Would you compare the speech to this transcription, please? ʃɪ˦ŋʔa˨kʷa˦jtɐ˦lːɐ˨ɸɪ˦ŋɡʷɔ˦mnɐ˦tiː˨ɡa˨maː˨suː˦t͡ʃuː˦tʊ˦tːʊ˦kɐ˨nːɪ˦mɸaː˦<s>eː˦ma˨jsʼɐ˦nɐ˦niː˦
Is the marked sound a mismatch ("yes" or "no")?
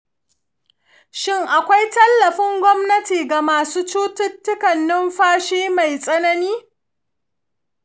yes